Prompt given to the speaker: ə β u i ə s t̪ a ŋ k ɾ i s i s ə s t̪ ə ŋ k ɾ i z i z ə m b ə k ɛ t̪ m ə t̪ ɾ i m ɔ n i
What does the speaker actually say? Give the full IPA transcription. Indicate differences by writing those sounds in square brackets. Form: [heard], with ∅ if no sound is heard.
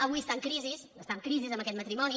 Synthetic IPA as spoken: ə β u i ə s t̪ a ŋ k ɾ i [z] i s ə s t̪ [a] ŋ k ɾ i z i z ə m b ə k ɛ t̪ m ə t̪ ɾ i m ɔ n i